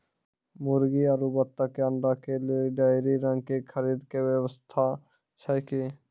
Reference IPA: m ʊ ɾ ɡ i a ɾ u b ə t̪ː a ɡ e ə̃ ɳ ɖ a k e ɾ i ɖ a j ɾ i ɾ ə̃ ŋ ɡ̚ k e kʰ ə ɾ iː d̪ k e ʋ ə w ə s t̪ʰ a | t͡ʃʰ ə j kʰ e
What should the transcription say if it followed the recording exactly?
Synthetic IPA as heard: m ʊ ɾ ɡ i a ɾ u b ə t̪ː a k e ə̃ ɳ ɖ a k e l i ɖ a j ɾ i ɾ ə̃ ŋ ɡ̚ k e kʰ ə ɾ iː d̪ k e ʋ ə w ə s t̪ʰ a | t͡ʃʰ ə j k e